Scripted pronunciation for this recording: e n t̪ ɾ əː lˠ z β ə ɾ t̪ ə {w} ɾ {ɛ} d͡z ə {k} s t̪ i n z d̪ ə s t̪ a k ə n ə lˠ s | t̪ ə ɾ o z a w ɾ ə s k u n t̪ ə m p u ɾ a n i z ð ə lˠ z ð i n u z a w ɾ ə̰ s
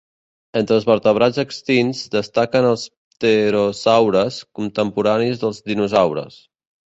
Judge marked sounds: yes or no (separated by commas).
no, no, yes